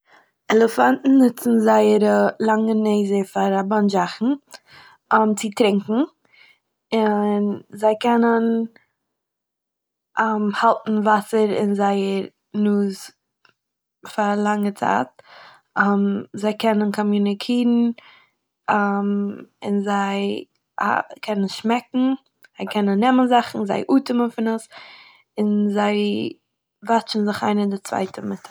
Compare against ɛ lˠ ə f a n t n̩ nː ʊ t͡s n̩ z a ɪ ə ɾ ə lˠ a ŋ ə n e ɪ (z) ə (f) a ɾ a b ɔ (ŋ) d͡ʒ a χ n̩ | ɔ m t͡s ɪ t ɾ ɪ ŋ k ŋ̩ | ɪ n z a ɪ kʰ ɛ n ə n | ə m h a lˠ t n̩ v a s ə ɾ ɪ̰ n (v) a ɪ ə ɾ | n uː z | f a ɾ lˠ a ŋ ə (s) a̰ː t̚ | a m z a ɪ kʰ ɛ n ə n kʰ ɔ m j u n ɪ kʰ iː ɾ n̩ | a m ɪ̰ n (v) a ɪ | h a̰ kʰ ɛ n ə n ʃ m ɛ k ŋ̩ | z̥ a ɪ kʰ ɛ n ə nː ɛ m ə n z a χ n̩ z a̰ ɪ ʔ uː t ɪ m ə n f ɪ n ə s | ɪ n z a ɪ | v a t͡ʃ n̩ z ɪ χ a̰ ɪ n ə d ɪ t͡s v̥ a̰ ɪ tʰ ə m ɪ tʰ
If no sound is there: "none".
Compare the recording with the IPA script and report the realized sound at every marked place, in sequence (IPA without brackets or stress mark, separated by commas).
z, f, n, z, t͡s, z